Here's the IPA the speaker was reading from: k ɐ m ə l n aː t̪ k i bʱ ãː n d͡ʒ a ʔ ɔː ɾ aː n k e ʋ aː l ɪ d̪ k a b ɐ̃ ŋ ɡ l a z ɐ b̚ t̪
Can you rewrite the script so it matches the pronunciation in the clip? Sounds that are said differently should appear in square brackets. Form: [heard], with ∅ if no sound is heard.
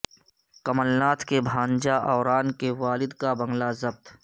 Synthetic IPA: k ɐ m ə l n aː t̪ k [e] bʱ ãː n d͡ʒ a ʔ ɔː ɾ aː n k e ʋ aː l ɪ d̪ k a b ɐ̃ ŋ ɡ l a z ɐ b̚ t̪